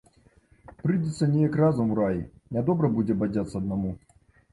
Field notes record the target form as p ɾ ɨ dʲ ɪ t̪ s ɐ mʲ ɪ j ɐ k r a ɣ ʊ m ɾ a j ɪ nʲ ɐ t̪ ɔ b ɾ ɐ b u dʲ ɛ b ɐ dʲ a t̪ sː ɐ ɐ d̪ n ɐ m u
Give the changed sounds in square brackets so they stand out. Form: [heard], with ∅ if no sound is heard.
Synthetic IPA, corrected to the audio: p ɾ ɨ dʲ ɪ t̪ s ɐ [nʲ] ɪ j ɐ k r a [z] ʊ m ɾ a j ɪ nʲ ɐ [d̪] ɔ b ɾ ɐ b u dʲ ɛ b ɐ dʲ a t̪ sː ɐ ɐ d̪ n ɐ m u